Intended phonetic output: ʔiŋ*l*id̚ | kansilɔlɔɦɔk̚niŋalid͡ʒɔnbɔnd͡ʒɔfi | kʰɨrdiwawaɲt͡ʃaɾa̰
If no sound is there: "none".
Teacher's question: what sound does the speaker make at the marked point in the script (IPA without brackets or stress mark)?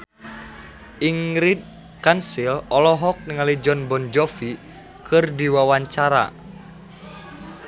ɾ